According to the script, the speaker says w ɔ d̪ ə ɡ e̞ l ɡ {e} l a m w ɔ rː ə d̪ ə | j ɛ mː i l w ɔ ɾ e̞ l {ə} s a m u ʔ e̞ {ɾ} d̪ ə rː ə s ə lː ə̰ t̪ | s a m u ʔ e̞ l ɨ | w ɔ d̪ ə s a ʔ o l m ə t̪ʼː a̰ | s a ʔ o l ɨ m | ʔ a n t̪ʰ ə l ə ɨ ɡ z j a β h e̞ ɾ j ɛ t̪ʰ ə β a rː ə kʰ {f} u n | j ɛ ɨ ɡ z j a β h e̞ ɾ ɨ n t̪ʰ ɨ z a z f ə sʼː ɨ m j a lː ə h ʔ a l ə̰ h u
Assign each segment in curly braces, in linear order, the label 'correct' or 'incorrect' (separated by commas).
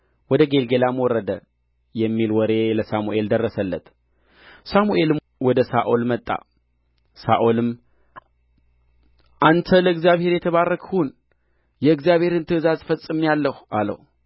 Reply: correct, correct, incorrect, incorrect